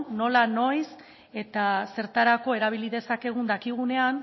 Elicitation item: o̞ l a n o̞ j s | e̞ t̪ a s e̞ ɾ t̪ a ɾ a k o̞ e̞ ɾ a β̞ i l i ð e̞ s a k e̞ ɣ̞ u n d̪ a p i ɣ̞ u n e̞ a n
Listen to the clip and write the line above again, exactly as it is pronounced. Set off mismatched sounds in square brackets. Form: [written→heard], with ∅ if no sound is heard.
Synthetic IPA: o̞ l a n o̞ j s | e̞ t̪ a s e̞ ɾ t̪ a ɾ a k o̞ e̞ ɾ a β̞ i l i ð e̞ s a k e̞ ɣ̞ u n d̪ a [p→k] i ɣ̞ u n e̞ a n